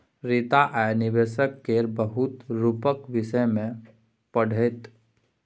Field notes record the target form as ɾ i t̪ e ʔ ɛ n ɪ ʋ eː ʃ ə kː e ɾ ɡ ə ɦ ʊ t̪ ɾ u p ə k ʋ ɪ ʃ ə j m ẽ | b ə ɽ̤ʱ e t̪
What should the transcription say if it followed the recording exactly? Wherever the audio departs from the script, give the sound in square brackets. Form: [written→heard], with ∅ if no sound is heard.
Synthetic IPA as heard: ɾ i t̪ [e→a] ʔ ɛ n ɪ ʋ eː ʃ ə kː e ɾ [ɡ→b] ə ɦ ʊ t̪ ɾ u p ə k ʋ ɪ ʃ ə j m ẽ | [b→p] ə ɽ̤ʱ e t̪